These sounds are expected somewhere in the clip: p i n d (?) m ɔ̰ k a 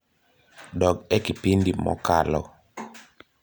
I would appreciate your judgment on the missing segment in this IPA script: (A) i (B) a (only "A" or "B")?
A